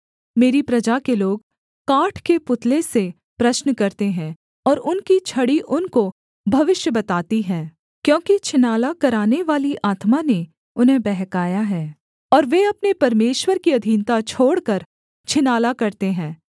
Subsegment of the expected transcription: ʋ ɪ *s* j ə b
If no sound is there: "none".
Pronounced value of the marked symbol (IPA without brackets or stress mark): ʃ